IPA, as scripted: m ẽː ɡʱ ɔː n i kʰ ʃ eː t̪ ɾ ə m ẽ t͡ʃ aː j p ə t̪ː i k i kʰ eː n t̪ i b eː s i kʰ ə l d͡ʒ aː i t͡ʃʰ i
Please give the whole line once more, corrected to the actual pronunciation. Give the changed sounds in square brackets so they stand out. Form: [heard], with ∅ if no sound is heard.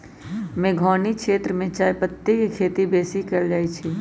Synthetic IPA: m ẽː ɡʱ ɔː n i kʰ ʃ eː t̪ ɾ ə m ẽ t͡ʃ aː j p ə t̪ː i k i kʰ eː [∅] t̪ i b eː s i [k] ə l d͡ʒ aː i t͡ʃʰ i